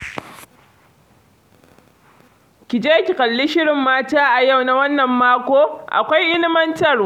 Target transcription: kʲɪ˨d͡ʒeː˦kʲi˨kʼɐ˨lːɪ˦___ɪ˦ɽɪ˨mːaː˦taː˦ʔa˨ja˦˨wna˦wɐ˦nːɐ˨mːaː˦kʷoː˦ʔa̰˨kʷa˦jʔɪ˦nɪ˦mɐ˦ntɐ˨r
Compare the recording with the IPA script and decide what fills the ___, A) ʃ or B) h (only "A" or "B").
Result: A